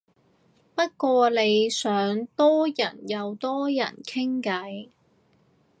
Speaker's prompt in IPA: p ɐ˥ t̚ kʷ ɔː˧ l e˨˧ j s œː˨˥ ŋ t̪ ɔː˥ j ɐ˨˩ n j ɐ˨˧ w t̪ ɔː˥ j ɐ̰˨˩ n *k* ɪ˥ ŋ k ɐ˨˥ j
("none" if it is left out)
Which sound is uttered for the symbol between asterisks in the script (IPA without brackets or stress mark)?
kʰ